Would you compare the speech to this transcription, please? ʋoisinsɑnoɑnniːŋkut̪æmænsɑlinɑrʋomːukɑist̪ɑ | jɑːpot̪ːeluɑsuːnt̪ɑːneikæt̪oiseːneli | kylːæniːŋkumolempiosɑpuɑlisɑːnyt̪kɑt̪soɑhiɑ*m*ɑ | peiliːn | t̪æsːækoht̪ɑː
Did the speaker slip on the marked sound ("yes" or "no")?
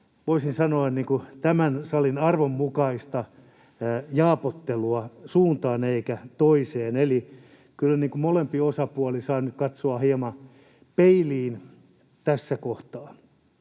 no